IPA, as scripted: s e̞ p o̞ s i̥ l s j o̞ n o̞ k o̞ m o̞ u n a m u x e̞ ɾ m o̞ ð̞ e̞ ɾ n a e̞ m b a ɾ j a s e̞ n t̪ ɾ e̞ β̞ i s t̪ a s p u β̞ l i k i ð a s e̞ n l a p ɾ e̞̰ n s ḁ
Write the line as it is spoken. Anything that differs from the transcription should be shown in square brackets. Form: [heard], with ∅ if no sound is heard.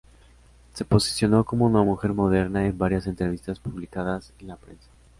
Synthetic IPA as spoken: s e̞ p o̞ s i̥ [∅] s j o̞ n o̞ k o̞ m o̞ u n a m u x e̞ ɾ m o̞ ð̞ e̞ ɾ n a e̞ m b a ɾ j a s e̞ n t̪ ɾ e̞ β̞ i s t̪ a s p u β̞ l i k [a] ð a s e̞ n l a p ɾ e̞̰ n s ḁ

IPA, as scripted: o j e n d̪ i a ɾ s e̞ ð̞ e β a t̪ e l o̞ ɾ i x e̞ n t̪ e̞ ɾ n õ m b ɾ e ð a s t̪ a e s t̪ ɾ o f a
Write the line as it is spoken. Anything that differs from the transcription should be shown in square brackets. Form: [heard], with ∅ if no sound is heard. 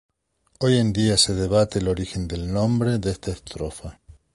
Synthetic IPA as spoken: o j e n d̪ i a [∅] s e̞ ð̞ e β a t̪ e l o̞ ɾ i x e̞ n [d̪] e̞ [l] n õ m b ɾ e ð [e] s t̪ a e s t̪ ɾ o f a

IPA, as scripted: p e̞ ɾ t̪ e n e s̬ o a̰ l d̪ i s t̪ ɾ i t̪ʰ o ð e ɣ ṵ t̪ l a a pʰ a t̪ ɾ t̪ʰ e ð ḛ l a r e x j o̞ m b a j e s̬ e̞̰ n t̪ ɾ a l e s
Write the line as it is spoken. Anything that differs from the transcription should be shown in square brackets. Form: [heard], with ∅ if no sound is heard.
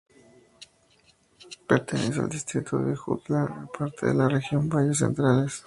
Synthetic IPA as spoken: p e̞ ɾ t̪ e n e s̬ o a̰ l d̪ i s t̪ ɾ i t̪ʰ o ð e [x] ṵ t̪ l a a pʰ a [∅] ɾ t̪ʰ e ð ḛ l a r e x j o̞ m b a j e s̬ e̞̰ n t̪ ɾ a l e s

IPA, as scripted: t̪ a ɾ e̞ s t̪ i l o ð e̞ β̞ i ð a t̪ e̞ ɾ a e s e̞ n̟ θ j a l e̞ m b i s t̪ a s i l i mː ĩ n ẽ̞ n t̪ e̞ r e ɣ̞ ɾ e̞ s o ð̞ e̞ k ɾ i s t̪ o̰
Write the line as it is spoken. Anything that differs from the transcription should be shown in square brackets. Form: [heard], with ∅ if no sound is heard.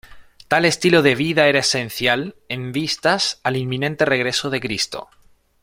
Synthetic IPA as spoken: t̪ a [l] e̞ s t̪ i l o ð e̞ β̞ i ð a [∅] e̞ ɾ a e s e̞ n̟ θ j a l e̞ m b i s t̪ a s [a] l i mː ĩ n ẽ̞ n t̪ e̞ r e ɣ̞ ɾ e̞ s o ð̞ e̞ k ɾ i s t̪ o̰

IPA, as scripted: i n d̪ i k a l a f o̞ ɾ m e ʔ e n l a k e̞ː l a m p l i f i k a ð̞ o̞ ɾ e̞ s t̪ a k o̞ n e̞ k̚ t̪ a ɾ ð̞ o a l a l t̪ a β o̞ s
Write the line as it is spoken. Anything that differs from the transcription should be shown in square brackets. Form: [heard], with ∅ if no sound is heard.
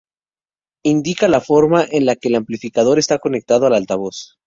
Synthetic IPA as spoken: i n d̪ i k a l a f o̞ ɾ m [a] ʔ e n l a k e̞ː l a m p l i f i k a ð̞ o̞ ɾ e̞ s t̪ a k o̞ n e̞ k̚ t̪ a [∅] ð̞ o a l a l t̪ a β o̞ s

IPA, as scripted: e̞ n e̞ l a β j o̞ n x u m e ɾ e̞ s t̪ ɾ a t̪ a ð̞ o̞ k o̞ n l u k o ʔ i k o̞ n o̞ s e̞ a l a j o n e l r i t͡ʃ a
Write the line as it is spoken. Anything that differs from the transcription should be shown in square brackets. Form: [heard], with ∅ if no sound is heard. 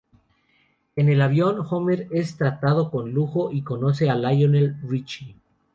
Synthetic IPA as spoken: e̞ n e̞ l a β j o̞ n x [o] m e ɾ e̞ s t̪ ɾ a t̪ a ð̞ o̞ k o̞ n l u [x] o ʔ i k o̞ n o̞ s e̞ a l a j o n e l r i t͡ʃ [i]

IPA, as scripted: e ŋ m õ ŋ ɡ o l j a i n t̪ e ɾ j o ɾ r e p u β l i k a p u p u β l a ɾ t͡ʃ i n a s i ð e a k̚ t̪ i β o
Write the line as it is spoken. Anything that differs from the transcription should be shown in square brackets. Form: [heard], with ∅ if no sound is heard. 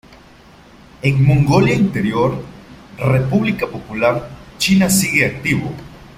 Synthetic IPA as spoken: e ŋ m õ ŋ ɡ o l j a i n t̪ e ɾ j o ɾ r e p u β l i k a p [o] p u [∅] l a ɾ t͡ʃ i n a s i [ɣ] e a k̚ t̪ i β o

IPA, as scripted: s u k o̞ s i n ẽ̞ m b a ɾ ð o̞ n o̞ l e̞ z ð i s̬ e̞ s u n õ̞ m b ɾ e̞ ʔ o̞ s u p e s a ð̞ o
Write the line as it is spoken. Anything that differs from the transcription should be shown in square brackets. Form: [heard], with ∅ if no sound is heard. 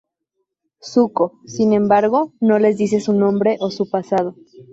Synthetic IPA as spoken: s u k o̞ s i n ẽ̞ m b a ɾ [ɣ] o̞ n o̞ l e̞ z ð i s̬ e̞ s u n õ̞ m b ɾ e̞ ʔ o̞ s u p [a] s a ð̞ o

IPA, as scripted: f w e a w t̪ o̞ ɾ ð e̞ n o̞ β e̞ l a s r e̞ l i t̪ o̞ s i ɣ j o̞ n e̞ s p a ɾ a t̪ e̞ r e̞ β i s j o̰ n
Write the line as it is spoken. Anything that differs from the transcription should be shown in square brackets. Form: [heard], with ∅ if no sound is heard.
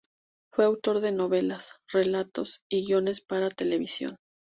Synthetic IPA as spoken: f w e a w t̪ o̞ ɾ ð e̞ n o̞ β e̞ l a s r e̞ l [a] t̪ o̞ s i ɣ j o̞ n e̞ s p a ɾ a t̪ e̞ [l] e̞ β i s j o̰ n

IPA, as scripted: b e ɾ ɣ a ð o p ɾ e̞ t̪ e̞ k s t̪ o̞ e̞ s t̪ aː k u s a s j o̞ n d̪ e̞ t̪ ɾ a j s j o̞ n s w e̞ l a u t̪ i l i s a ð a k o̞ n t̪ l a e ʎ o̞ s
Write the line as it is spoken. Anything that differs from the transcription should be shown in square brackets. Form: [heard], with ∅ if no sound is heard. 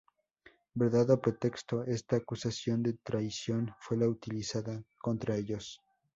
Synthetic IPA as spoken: b e ɾ [ð] a ð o p ɾ e̞ t̪ e̞ k s t̪ o̞ e̞ s t̪ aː k u s a s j o̞ n d̪ e̞ t̪ ɾ a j s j o̞ n [f] w e̞ l a u t̪ i l i s a ð a k o̞ n t̪ [ɾ] a e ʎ o̞ s

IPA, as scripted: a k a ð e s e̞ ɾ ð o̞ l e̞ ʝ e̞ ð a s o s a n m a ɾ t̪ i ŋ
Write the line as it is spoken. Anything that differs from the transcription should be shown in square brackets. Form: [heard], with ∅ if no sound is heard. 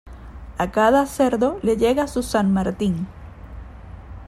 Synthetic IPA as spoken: a k a ð [a] s e̞ ɾ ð o̞ l e̞ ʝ e̞ [ɣ] a s [u] s a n m a ɾ t̪ i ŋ

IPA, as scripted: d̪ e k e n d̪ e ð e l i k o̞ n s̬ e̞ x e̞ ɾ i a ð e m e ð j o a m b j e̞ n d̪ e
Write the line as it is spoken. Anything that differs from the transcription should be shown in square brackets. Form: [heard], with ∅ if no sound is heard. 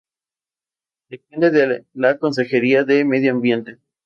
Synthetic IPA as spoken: d̪ e [p] e n d̪ e ð e l [a] k o̞ n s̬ e̞ x e̞ ɾ i a ð e m e ð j o a m b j e̞ n [t̪] e

